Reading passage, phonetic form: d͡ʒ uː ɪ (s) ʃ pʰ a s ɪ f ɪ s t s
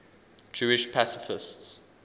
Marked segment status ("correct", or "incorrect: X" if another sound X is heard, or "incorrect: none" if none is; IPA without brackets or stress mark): incorrect: none